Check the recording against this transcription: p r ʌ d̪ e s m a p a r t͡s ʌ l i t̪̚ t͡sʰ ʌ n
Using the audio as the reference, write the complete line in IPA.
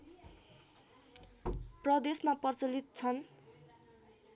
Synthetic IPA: p r ʌ d̪ e s m a p ʌ r t͡s ʌ l i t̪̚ t͡sʰ ʌ n